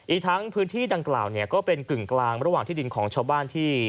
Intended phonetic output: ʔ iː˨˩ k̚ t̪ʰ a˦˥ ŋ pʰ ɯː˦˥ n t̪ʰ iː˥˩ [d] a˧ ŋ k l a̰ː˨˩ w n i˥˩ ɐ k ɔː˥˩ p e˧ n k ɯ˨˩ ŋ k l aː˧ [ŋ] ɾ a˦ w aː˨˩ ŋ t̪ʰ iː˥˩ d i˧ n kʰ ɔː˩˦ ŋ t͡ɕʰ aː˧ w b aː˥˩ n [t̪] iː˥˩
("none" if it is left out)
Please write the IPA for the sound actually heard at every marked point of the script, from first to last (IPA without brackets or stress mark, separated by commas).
d, ŋ, t̪ʰ